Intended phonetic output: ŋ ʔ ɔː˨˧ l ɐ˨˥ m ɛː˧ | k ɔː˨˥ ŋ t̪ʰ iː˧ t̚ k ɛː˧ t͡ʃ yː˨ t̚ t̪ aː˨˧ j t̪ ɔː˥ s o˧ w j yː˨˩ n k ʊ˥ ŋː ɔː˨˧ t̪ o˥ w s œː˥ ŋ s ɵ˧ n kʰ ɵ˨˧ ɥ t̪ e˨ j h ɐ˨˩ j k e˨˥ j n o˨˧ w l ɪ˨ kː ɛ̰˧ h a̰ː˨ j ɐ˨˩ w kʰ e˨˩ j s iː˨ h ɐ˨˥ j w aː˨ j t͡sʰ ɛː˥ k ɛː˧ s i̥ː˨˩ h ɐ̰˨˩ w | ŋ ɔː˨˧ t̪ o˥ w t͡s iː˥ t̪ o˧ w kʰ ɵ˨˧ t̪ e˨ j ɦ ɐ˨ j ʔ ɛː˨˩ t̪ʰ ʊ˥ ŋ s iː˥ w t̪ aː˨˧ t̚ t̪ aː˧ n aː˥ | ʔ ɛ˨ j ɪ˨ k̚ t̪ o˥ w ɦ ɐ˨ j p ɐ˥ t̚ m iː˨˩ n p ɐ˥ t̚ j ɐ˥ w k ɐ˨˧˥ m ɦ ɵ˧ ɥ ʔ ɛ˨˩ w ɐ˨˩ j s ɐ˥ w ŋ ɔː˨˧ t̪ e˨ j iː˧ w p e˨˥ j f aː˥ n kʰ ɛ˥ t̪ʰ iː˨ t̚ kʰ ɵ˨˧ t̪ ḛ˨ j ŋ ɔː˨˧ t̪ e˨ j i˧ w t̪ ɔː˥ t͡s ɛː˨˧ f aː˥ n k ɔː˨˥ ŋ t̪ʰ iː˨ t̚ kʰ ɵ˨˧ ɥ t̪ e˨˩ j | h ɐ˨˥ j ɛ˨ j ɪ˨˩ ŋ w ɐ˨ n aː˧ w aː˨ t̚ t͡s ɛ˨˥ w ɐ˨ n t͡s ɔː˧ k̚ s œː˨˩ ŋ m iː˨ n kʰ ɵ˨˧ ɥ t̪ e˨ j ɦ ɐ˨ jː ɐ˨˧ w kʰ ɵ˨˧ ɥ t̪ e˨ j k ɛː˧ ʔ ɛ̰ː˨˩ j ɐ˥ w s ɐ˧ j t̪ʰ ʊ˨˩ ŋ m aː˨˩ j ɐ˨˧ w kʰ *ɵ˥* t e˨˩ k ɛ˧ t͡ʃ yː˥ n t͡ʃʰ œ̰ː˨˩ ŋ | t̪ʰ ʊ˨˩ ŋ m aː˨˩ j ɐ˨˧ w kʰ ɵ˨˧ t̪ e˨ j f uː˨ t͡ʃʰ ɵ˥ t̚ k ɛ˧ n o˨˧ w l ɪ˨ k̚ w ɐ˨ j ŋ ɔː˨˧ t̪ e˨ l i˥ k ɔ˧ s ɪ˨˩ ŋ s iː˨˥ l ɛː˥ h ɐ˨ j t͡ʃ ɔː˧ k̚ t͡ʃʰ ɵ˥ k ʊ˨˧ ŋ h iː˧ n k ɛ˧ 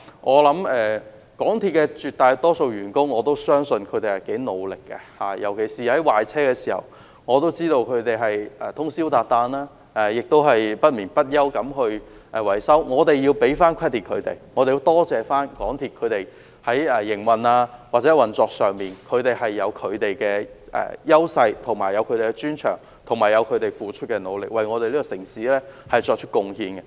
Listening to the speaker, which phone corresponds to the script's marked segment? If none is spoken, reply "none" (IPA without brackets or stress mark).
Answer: ɵ˧